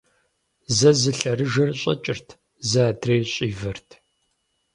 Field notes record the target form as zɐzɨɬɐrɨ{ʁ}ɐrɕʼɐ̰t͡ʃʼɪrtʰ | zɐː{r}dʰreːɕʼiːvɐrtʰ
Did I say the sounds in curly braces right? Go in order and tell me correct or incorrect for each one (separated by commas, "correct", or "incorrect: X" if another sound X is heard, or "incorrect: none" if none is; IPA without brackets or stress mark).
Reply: incorrect: ʒ, incorrect: none